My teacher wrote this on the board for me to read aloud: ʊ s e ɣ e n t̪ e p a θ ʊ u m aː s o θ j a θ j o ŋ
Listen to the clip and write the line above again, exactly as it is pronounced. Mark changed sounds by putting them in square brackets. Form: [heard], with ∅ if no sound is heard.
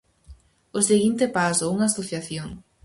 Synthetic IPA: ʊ s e ɣ [i] n t̪ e p a [s] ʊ u [ŋ] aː s o θ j a θ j o ŋ